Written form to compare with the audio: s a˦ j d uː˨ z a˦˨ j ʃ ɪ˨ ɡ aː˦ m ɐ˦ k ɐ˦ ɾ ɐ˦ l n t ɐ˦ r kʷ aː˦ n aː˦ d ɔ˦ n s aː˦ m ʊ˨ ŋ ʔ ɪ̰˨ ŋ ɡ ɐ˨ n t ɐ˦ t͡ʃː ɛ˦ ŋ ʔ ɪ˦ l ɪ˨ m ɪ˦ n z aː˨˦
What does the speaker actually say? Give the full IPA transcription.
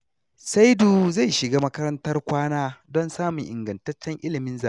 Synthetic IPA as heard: s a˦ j d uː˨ z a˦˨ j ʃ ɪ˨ ɡ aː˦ m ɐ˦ k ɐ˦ ɾ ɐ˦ n t ɐ˦ r kʷ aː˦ n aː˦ d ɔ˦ n s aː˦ m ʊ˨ ŋ ʔ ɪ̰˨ ŋ ɡ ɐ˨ n t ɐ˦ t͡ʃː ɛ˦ ŋ ʔ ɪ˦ l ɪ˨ m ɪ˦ n z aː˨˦

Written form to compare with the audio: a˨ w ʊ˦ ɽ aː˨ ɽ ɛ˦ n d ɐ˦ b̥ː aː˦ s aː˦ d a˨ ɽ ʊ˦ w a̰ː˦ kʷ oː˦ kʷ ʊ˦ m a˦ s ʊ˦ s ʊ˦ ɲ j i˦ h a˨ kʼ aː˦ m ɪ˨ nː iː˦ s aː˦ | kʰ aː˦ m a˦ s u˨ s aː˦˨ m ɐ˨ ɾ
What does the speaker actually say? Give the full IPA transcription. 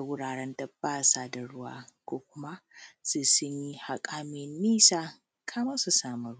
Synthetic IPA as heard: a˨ w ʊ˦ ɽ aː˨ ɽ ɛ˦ n d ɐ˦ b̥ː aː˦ s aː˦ d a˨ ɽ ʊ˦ w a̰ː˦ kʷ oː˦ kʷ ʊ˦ m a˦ s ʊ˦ s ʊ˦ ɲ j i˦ h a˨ kʼ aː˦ m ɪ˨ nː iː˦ s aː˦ | kʰ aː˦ m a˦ s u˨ s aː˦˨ m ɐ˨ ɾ

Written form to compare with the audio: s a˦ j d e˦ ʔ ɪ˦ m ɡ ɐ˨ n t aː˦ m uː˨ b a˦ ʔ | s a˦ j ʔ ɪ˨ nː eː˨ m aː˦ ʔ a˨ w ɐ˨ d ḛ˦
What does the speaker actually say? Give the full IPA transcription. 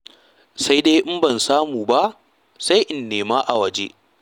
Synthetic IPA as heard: s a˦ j d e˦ ʔ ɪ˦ m b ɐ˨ n s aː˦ m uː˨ b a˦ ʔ | s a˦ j ʔ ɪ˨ nː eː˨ m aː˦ ʔ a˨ w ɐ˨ d͡ʒ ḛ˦

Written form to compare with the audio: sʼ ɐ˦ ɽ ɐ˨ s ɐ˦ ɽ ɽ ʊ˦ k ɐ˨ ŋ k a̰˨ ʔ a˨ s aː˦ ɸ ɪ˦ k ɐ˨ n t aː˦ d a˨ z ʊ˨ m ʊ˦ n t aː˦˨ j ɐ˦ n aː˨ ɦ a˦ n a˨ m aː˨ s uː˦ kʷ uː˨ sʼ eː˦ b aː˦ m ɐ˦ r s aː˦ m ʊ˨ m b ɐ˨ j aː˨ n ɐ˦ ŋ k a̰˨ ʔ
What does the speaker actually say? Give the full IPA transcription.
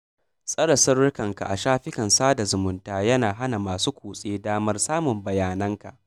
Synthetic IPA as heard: sʼ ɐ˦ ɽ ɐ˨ s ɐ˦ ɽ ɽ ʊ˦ k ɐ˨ ŋ k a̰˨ ʔ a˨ ʃ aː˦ ɸ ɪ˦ k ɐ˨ n s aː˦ d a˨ z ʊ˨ m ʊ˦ n t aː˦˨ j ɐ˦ n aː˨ ɦ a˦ n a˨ m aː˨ s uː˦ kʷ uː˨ sʼ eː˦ d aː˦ m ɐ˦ r s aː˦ m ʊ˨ m b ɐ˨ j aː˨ n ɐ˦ ŋ k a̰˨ ʔ

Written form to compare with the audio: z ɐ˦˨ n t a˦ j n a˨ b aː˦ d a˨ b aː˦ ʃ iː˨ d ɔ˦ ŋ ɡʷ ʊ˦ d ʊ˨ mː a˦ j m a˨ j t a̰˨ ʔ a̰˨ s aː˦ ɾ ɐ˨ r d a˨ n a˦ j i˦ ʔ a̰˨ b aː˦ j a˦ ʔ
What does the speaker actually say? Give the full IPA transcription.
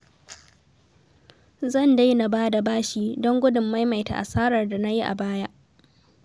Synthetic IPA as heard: z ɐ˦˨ n d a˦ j n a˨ b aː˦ d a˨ b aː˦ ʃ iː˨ d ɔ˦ ŋ ɡʷ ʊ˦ d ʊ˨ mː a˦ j m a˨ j t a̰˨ ʔ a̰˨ s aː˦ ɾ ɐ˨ r d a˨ n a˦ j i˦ ʔ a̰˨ b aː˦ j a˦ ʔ

